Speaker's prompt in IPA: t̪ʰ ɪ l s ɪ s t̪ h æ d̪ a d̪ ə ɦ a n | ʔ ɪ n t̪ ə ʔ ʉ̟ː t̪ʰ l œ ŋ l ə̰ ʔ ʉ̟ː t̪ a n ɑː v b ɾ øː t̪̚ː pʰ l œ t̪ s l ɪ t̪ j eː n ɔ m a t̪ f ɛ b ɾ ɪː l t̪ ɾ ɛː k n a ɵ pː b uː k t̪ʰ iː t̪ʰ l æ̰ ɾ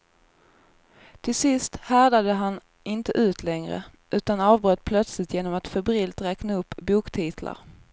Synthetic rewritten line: t̪ʰ ɪ l s ɪ s t̪ h æ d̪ a d̪ ə ɦ a n | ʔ ɪ n t̪ ə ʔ ʉ̟ː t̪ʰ l ɛ ŋ ɾ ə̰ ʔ ʉ̟ː t̪ a n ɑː v b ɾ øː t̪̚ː pʰ l œ t̪ s l ɪ t̪ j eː n ɔ m a t̪ f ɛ b ɾ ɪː l t̪ ɾ ɛː k n a ɵ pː b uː k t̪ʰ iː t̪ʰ l a̰ ɾ